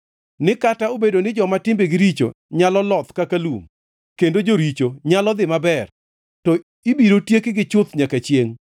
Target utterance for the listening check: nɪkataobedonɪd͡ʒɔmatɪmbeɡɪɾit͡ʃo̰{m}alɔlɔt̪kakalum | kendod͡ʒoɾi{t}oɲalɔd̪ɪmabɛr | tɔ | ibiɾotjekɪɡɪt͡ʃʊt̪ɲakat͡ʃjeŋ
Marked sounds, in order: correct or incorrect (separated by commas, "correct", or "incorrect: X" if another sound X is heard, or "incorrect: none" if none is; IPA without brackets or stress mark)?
incorrect: ɲ, incorrect: t͡ʃ